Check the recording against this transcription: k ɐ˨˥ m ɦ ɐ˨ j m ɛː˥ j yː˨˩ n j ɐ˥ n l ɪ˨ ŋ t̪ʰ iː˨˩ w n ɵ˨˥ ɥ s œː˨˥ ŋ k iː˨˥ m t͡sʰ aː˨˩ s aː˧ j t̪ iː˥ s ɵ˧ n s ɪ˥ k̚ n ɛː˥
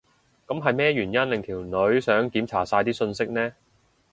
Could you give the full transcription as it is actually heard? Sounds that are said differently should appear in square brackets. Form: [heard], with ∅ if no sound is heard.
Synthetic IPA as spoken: k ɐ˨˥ m ɦ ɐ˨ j m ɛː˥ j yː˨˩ n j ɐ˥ n l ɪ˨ ŋ t̪ʰ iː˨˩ w n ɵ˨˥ ɥ s œː˨˥ ŋ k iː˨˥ m t͡sʰ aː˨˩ s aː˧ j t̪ iː˥ s ɵ˧ n s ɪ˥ k̚ n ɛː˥